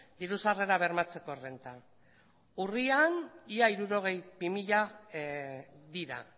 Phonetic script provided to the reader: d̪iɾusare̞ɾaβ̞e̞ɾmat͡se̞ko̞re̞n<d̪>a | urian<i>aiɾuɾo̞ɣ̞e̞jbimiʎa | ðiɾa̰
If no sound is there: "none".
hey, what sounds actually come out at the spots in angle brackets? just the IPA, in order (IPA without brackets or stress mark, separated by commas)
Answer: t̪, i